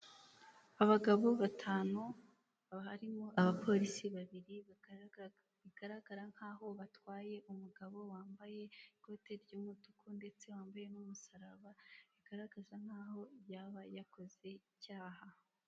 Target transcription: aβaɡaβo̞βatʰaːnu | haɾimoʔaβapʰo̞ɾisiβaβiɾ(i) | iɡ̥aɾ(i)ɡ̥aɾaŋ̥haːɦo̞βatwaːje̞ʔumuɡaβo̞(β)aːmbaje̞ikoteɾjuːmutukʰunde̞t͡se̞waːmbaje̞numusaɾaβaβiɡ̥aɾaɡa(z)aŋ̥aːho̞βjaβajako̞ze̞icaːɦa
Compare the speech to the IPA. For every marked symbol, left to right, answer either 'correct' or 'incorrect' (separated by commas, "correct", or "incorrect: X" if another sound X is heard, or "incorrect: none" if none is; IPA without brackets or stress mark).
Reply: correct, incorrect: a, incorrect: w, correct